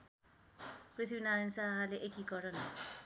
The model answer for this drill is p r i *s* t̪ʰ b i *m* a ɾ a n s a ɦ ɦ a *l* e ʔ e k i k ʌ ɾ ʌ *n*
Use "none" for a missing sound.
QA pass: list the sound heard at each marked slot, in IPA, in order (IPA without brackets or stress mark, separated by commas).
none, n, l, n